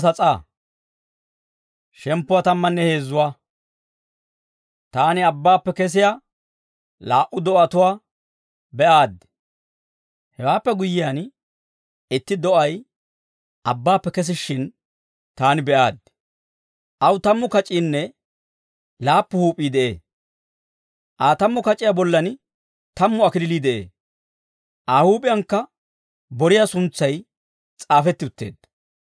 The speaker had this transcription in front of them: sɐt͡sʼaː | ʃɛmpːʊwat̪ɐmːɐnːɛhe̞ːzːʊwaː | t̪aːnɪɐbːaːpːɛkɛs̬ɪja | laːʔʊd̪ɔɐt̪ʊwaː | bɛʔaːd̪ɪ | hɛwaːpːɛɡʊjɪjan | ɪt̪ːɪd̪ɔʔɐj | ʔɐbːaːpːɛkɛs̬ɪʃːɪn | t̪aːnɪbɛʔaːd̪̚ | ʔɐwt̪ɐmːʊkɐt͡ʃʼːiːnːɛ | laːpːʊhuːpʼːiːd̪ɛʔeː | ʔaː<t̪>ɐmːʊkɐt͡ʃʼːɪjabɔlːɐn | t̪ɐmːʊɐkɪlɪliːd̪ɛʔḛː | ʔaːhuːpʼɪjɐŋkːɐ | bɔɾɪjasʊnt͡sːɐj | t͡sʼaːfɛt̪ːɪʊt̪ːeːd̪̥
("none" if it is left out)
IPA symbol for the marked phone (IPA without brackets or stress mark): t̪